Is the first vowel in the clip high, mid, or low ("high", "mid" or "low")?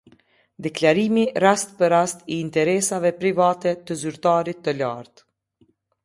mid